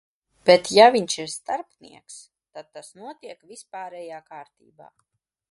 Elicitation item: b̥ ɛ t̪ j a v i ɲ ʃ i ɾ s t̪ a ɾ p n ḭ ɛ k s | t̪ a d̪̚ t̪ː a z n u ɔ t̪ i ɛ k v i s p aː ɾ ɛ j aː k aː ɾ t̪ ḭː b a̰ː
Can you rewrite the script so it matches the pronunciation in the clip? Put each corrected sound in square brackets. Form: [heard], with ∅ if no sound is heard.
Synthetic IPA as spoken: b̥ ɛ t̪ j a v i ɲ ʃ i ɾ s t̪ a ɾ p n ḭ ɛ k s | t̪ a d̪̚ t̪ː a [s] n u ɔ t̪ i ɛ k v i s p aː ɾ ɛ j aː k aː ɾ t̪ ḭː b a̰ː